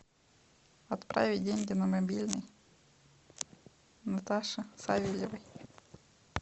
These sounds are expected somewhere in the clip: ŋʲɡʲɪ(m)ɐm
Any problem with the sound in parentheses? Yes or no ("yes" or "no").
yes